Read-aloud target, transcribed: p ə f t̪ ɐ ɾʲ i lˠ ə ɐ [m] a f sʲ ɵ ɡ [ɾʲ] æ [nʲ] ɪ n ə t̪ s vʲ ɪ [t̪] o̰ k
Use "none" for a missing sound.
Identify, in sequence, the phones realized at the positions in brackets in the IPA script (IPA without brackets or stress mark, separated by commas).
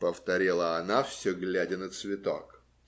n, lʲ, dʲ, t̪